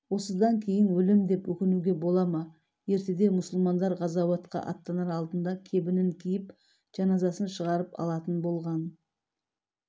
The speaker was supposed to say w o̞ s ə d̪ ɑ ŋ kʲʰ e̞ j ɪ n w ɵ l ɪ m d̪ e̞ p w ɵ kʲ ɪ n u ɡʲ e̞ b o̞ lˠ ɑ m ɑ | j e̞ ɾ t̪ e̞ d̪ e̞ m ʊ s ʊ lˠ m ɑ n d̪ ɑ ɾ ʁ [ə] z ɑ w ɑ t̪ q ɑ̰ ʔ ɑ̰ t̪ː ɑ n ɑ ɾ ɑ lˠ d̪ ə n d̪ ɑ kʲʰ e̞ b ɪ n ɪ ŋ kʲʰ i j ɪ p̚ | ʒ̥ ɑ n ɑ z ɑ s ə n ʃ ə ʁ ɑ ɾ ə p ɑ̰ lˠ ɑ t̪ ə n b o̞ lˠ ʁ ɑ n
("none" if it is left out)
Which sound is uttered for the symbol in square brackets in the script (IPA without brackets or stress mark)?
ɑ